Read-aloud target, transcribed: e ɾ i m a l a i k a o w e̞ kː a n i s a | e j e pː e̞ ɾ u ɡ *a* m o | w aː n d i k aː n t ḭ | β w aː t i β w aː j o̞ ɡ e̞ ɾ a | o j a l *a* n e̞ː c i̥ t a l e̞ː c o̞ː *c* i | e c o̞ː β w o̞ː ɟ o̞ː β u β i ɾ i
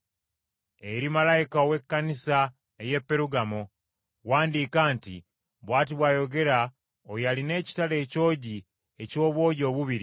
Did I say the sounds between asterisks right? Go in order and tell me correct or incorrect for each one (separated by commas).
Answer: correct, incorrect, incorrect